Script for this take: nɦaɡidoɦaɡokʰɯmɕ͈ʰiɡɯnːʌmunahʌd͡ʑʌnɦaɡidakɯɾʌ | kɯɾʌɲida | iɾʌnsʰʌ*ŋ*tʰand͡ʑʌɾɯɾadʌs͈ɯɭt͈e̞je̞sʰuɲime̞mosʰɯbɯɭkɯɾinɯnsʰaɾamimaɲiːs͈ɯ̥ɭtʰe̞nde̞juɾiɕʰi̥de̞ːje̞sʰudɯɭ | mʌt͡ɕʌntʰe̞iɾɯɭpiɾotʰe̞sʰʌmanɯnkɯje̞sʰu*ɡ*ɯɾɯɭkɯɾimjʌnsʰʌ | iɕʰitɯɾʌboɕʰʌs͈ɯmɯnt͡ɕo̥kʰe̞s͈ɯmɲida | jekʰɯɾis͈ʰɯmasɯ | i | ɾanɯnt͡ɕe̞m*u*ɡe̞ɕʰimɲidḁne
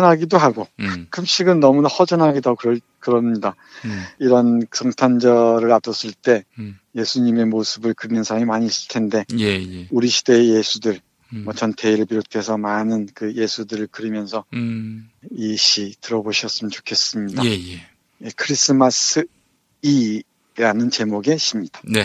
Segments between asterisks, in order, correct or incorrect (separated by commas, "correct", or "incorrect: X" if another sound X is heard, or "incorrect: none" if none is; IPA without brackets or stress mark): correct, incorrect: d, incorrect: o